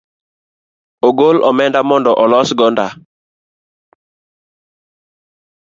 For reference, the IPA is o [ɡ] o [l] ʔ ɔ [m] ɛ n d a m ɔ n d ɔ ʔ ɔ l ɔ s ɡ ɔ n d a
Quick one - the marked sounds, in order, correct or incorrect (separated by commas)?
correct, correct, correct